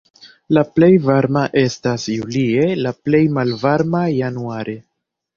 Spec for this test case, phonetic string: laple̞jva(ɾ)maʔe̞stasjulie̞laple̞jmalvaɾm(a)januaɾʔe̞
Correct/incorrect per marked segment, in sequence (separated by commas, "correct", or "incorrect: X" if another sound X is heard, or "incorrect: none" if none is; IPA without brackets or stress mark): correct, correct